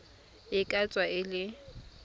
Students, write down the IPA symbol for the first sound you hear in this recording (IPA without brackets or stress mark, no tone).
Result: ɪ